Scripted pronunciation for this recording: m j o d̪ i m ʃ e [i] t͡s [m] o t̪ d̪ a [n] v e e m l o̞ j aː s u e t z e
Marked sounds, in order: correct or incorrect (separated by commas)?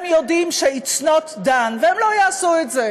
correct, incorrect, correct